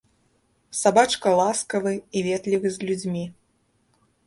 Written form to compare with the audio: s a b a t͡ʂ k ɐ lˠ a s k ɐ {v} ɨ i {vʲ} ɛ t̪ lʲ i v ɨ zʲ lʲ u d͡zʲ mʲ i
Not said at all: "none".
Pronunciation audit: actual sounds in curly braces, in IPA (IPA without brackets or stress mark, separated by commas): v, vʲ